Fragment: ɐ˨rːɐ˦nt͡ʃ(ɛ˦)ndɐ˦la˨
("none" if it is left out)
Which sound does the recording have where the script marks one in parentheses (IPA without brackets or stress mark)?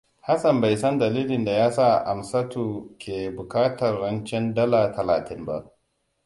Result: ɛ˦